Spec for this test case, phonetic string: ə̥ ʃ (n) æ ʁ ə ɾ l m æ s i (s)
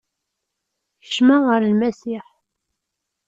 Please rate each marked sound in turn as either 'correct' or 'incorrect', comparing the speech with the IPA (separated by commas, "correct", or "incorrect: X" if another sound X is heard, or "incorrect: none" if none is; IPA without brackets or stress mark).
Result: incorrect: m, incorrect: ħ